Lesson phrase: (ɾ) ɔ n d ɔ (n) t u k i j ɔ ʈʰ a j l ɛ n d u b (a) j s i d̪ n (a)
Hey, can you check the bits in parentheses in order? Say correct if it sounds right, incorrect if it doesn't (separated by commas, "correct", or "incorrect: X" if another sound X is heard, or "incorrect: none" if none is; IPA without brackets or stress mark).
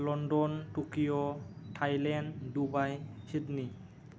incorrect: l, correct, correct, incorrect: i